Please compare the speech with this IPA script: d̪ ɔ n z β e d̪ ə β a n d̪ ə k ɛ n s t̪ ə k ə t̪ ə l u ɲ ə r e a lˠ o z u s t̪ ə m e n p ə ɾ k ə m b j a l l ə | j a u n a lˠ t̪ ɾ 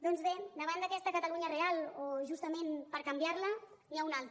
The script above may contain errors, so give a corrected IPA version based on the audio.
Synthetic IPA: d̪ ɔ n z β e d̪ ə β a n d̪ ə k ɛ s t̪ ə k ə t̪ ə l u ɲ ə r e a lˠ o ʒ u s t̪ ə m e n p ə ɾ k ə m b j a ɾ l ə | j a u n a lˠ t̪ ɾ